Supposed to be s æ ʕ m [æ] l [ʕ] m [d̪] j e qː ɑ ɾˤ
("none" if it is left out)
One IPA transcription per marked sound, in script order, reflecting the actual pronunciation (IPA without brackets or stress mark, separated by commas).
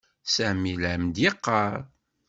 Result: i, ʕ, d̪